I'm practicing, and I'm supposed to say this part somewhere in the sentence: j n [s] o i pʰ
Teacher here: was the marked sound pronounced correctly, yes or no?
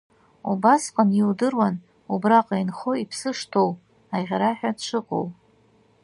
no